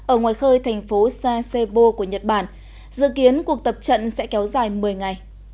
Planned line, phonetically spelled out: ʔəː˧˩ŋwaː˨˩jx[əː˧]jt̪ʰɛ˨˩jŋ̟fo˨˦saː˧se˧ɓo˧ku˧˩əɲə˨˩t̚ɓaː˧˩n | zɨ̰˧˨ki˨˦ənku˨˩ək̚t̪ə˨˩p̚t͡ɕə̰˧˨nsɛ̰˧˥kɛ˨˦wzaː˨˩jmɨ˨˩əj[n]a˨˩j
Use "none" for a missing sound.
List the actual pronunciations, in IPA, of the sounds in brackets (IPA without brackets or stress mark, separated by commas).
əː˧, ŋ